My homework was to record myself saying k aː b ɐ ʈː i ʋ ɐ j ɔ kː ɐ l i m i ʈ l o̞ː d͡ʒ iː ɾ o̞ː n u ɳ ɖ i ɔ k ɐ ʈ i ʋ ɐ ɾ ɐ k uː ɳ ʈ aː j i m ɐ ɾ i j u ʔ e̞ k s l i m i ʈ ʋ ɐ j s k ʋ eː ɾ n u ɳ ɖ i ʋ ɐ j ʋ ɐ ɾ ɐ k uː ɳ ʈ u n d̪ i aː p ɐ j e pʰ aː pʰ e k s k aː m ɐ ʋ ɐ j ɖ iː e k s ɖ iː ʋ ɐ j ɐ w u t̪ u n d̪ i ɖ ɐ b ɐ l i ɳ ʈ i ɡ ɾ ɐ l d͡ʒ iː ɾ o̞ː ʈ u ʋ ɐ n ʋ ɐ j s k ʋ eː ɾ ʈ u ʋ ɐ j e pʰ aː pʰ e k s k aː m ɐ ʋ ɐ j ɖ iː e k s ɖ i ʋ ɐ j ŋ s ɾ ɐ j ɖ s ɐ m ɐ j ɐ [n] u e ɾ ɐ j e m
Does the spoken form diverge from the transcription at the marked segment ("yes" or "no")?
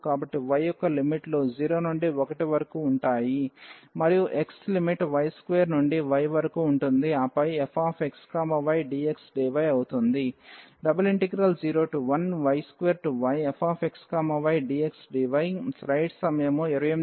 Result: yes